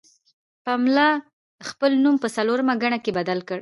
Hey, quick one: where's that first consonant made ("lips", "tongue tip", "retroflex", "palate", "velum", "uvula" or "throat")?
lips